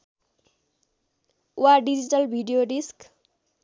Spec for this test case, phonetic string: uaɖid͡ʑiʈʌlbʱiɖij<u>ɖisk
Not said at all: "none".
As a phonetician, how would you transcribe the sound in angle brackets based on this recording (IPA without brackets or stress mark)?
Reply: o